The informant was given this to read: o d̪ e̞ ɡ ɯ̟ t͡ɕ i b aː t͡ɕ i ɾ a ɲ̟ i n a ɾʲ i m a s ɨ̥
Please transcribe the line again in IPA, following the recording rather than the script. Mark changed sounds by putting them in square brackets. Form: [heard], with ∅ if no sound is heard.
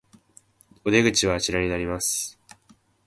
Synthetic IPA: o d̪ e̞ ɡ ɯ̟ t͡ɕ i [β] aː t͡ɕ i ɾ a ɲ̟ i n a ɾʲ i m a s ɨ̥